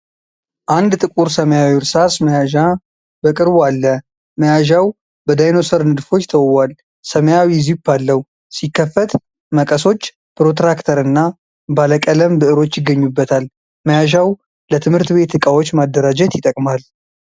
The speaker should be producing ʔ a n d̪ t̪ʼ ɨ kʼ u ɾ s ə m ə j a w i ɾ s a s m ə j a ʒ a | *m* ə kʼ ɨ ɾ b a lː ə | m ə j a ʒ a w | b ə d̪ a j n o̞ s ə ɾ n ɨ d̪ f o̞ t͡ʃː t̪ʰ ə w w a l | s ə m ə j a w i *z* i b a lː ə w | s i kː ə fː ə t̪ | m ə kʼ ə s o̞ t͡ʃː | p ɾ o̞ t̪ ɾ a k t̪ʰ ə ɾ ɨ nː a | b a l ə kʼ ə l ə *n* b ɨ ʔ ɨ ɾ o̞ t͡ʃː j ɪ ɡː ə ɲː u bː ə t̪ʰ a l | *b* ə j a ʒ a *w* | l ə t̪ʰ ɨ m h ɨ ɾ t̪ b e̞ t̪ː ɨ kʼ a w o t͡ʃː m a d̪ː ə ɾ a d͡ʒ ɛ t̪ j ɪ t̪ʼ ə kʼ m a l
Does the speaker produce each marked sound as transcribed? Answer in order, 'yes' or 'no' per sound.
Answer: no, yes, no, no, yes

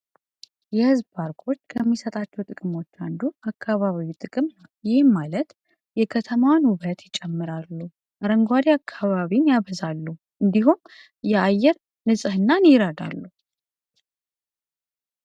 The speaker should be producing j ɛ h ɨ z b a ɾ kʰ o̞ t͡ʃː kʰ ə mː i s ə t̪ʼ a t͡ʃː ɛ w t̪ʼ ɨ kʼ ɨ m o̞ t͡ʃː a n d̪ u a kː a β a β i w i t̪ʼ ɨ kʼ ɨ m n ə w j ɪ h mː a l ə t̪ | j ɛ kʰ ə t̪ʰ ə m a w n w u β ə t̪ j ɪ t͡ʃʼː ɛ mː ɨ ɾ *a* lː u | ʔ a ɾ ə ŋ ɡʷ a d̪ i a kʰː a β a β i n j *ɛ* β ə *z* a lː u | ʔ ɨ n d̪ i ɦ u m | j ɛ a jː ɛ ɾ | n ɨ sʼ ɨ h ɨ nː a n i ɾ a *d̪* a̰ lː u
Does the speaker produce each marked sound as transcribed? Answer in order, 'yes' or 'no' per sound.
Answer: yes, no, yes, yes

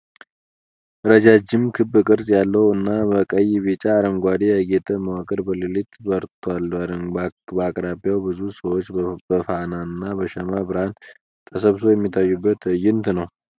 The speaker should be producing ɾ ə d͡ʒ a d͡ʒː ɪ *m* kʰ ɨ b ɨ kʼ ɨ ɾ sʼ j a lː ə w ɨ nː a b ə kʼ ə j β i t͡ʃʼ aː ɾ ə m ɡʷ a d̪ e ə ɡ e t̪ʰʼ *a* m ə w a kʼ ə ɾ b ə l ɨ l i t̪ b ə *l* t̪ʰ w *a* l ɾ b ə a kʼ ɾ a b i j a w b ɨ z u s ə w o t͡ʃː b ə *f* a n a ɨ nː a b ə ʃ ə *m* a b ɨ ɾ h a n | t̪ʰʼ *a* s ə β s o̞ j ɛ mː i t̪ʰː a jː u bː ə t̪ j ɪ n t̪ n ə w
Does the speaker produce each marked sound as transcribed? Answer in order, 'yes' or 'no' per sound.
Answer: yes, no, no, yes, yes, yes, no

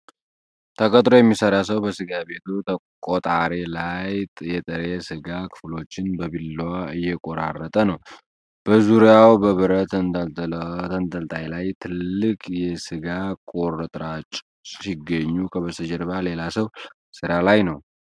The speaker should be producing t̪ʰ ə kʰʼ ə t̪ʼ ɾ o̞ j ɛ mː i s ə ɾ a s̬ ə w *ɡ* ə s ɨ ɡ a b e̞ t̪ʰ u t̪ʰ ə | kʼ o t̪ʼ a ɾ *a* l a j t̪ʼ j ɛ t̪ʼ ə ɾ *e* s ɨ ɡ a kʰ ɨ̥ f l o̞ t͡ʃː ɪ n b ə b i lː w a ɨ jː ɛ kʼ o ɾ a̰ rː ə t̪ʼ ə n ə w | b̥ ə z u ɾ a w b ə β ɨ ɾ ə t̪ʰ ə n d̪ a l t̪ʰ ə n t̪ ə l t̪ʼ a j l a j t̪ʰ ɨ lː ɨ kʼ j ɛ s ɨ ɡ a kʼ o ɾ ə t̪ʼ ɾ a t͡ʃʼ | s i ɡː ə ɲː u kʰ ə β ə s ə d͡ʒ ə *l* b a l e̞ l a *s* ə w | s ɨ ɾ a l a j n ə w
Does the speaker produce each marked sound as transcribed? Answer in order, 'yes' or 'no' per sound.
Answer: no, no, yes, no, yes

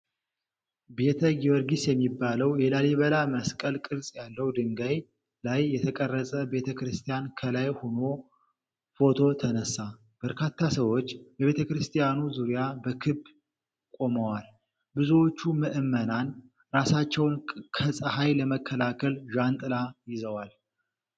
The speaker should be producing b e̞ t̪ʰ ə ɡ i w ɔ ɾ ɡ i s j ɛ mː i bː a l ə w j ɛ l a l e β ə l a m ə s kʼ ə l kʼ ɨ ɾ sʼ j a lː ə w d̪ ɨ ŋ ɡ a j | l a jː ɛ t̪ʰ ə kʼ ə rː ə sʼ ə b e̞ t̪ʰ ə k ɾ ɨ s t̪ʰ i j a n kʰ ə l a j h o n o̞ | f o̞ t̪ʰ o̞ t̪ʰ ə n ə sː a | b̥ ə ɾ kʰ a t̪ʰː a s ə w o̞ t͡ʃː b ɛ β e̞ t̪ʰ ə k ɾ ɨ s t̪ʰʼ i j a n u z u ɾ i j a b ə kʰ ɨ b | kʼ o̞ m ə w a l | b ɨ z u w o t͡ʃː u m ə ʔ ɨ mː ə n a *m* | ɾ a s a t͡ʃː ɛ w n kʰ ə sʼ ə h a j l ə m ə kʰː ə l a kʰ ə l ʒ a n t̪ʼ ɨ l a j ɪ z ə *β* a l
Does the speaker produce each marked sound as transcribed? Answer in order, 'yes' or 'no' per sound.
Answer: no, no

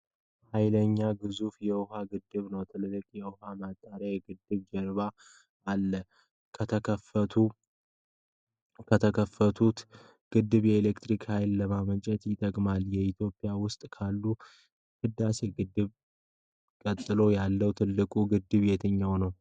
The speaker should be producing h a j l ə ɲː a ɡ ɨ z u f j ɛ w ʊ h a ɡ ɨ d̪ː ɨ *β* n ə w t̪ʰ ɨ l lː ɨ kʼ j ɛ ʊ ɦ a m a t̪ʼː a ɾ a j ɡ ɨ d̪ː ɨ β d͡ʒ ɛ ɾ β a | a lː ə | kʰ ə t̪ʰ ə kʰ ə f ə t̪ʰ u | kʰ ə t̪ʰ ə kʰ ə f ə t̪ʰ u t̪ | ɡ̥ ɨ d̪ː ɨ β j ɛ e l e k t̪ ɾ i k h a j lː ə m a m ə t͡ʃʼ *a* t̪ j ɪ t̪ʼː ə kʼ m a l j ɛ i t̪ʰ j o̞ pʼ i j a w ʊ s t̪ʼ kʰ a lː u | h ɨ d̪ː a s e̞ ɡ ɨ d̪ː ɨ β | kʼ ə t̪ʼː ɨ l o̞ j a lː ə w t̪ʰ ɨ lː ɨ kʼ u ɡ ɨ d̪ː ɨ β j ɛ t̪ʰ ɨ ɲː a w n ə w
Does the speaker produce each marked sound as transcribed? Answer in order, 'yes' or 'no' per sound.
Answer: yes, no

